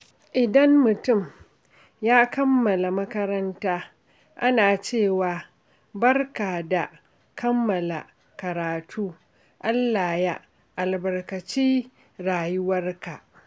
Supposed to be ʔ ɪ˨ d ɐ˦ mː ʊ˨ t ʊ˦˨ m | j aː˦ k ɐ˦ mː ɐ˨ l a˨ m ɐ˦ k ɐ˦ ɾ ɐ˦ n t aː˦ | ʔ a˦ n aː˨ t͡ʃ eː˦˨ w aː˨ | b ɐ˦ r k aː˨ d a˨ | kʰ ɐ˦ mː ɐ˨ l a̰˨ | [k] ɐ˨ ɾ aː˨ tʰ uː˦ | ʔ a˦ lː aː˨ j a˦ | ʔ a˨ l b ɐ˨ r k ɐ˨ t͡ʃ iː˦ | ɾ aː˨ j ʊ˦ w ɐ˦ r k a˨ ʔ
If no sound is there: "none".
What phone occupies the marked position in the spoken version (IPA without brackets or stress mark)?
k